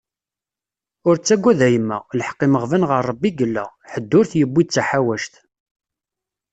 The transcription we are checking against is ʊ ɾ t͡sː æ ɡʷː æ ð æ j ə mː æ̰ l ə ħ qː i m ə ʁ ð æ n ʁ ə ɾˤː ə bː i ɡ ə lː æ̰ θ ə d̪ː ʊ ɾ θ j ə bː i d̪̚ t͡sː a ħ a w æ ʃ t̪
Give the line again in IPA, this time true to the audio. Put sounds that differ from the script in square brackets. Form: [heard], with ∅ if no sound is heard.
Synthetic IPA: ʊ ɾ t͡sː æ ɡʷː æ ð æ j ə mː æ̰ l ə ħ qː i m ə ʁ [v] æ n ʁ ə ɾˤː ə bː i ɡ ə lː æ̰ [ħ] ə d̪ː ʊ ɾ θ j ə bː i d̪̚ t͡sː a ħ a w æ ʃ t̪